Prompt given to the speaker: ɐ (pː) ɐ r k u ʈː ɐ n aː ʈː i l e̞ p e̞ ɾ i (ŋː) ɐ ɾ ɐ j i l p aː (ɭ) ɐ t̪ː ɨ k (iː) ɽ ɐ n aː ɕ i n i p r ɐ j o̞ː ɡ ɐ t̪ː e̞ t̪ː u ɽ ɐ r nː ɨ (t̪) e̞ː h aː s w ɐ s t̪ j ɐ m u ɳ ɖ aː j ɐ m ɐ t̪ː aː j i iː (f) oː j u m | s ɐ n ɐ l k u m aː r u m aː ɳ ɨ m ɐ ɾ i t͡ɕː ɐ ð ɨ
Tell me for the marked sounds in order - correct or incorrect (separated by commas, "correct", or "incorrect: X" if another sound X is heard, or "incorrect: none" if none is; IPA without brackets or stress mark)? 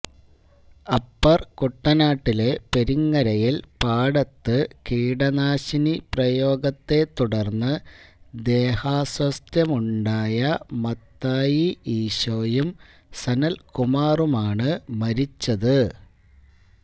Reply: correct, correct, incorrect: ɽ, correct, incorrect: d̪, incorrect: ɕ